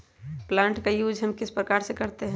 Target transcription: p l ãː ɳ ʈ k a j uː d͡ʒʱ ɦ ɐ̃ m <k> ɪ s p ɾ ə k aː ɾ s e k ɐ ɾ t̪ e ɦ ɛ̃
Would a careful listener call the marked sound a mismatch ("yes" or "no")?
no